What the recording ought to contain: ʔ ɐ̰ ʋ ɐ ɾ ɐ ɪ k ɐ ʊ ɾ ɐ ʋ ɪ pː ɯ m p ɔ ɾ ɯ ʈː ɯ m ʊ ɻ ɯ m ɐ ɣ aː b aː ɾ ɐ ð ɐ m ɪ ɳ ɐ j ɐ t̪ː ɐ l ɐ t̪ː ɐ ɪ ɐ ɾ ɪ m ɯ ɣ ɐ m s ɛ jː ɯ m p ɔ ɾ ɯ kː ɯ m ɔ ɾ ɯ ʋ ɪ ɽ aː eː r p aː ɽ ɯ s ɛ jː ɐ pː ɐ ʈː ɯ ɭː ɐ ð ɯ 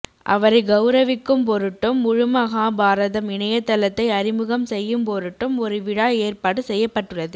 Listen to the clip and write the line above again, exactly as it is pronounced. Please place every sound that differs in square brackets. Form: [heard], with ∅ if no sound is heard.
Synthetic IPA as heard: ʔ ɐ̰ ʋ ɐ ɾ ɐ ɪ [ɡ] ɐ ʊ ɾ ɐ ʋ ɪ [kː] ɯ m p ɔ ɾ ɯ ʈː ɯ m ʊ ɻ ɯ m ɐ ɣ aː b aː ɾ ɐ ð ɐ m ɪ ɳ ɐ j ɐ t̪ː ɐ l ɐ t̪ː ɐ ɪ ɐ ɾ ɪ m ɯ ɣ ɐ m s ɛ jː ɯ m p ɔ ɾ ɯ [ʈː] ɯ m ɔ ɾ ɯ ʋ ɪ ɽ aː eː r p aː ɽ ɯ s ɛ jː ɐ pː ɐ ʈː ɯ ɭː ɐ ð ɯ

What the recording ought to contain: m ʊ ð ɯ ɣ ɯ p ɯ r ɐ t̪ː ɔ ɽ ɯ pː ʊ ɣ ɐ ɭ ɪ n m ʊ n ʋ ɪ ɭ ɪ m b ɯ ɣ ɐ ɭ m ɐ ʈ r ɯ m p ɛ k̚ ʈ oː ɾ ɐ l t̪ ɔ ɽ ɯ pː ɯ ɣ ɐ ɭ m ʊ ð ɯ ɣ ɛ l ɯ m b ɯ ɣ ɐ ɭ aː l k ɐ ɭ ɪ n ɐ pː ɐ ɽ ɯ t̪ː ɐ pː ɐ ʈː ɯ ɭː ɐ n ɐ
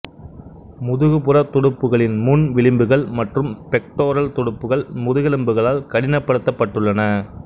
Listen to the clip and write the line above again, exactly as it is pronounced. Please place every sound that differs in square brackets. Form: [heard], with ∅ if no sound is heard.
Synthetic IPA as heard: m ʊ ð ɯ ɣ ɯ p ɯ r ɐ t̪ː ɔ ɽ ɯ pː [ɯ] ɣ ɐ ɭ ɪ n m ʊ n ʋ ɪ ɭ ɪ m b ɯ ɣ ɐ ɭ m ɐ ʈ r ɯ m p ɛ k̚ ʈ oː ɾ ɐ l t̪ ɔ ɽ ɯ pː ɯ ɣ ɐ ɭ m ʊ ð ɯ ɣ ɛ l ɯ m b ɯ ɣ ɐ ɭ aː l k ɐ [ɽ] ɪ n ɐ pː ɐ ɽ ɯ t̪ː ɐ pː ɐ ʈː ɯ ɭː ɐ n ɐ

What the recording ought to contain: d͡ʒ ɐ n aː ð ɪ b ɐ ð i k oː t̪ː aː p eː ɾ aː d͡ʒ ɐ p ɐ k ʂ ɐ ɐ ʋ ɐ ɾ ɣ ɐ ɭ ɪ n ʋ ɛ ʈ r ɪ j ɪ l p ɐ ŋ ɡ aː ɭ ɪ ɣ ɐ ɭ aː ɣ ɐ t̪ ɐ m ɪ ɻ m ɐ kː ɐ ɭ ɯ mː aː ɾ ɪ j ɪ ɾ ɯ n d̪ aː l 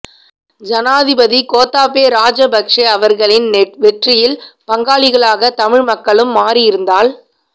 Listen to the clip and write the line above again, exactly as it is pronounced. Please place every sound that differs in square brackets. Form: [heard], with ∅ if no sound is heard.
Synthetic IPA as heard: d͡ʒ ɐ n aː ð ɪ b ɐ ð i k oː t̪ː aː p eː ɾ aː d͡ʒ ɐ [b] ɐ k ʂ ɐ ɐ ʋ ɐ ɾ ɣ ɐ ɭ ɪ n ʋ ɛ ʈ r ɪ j ɪ l p ɐ ŋ ɡ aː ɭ ɪ ɣ ɐ ɭ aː ɣ ɐ t̪ ɐ m ɪ ɻ m ɐ kː ɐ ɭ ɯ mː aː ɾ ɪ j ɪ ɾ ɯ n d̪ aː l

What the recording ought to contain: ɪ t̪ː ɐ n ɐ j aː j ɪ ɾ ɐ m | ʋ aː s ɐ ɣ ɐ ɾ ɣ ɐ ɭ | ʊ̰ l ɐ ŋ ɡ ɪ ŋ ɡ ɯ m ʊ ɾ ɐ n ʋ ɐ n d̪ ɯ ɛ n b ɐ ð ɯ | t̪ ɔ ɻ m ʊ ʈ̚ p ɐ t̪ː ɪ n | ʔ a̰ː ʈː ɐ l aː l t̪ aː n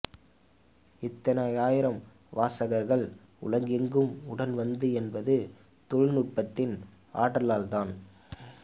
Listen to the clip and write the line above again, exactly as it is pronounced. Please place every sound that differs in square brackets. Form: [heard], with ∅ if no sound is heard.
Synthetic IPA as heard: ɪ t̪ː ɐ n ɐ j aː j ɪ ɾ ɐ m | ʋ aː s ɐ ɣ ɐ ɾ ɣ ɐ ɭ | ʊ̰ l ɐ ŋ ɡ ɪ ŋ ɡ ɯ m ʊ [ɽ] ɐ n ʋ ɐ n d̪ ɯ ɛ n b ɐ ð ɯ | t̪ ɔ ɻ [n] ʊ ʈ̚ p ɐ t̪ː ɪ n | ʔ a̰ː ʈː ɐ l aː l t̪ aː n

